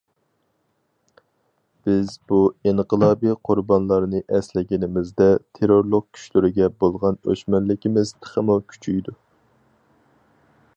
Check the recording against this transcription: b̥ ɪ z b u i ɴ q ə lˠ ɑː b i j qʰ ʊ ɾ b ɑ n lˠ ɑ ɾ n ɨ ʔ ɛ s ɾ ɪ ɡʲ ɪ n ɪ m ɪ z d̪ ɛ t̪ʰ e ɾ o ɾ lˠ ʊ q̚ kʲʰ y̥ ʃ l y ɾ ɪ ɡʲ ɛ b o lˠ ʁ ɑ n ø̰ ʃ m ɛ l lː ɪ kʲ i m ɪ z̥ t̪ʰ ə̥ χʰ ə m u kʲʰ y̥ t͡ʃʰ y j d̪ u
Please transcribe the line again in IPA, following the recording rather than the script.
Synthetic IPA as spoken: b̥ ɪ z b u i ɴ q ə lˠ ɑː b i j qʰ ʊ ɾ b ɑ n lˠ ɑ ɾ n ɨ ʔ ɛ s l ɪ ɡʲ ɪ n ɪ m ɪ z d̪ ɛ t̪ʰ e ɾ o ɾ lˠ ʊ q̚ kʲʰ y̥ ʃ l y ɾ ɪ ɡʲ ɛ b o lˠ ʁ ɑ n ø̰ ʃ m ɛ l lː ɪ kʲ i m ɪ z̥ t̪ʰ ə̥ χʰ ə m u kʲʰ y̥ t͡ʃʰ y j d̪ u